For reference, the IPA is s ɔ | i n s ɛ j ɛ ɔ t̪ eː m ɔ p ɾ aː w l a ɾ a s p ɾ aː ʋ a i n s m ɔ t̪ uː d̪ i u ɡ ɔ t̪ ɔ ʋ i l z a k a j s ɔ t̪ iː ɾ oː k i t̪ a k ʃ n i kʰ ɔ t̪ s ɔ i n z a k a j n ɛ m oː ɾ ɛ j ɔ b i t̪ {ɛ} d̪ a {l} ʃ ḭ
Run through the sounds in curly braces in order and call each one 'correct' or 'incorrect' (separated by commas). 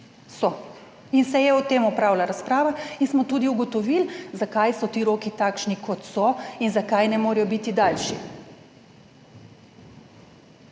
incorrect, correct